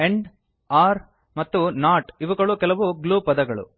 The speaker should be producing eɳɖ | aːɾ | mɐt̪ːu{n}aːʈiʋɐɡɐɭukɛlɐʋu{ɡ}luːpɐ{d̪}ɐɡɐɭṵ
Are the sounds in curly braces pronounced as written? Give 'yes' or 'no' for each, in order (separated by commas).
yes, yes, yes